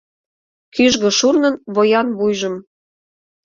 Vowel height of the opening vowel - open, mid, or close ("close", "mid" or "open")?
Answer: close